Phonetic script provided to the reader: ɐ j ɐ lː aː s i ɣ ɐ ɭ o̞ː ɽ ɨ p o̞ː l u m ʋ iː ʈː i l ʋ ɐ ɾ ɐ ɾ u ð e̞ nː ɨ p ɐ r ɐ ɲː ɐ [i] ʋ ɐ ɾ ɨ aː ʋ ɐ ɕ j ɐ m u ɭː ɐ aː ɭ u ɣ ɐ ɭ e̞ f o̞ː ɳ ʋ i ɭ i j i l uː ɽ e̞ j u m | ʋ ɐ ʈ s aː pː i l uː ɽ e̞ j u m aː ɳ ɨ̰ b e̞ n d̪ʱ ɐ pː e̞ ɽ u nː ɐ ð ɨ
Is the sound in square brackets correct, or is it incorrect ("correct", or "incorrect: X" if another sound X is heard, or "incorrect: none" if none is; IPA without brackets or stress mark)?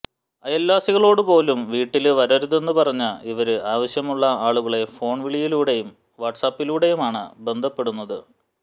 correct